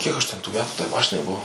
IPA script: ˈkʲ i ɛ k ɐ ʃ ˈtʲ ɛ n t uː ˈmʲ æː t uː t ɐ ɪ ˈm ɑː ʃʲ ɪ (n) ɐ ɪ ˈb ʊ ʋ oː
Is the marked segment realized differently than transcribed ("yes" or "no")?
no